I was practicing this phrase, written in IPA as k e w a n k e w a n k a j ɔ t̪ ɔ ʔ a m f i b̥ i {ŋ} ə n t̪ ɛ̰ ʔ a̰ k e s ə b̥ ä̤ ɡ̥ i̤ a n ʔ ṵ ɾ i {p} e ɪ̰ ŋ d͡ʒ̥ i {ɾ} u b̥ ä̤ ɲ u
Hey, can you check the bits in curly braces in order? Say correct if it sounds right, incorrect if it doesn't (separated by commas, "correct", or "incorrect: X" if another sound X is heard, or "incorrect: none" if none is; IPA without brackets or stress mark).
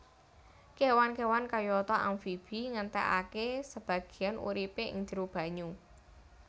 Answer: correct, correct, correct